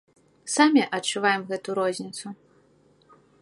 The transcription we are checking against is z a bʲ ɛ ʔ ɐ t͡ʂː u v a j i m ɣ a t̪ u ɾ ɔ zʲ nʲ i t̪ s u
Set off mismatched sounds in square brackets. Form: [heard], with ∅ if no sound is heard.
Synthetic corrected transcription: [s] a [mʲ] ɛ ʔ ɐ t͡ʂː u v a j [ɛ] m ɣ [ɛ] t̪ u ɾ ɔ zʲ nʲ i t̪ s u